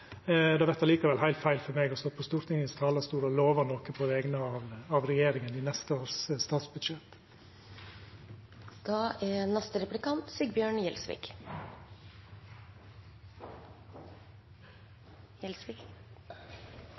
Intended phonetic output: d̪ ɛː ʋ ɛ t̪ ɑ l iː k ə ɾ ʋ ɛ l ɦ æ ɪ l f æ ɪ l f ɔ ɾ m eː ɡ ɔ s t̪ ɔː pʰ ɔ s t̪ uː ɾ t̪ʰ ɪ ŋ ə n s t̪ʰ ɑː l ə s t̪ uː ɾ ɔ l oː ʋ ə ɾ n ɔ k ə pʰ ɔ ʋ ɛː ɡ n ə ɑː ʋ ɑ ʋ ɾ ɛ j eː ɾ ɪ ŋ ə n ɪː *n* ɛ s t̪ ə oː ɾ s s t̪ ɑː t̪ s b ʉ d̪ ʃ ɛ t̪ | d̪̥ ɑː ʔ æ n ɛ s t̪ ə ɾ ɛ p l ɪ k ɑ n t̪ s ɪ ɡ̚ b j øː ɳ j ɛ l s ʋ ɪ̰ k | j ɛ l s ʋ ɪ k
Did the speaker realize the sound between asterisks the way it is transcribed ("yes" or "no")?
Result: yes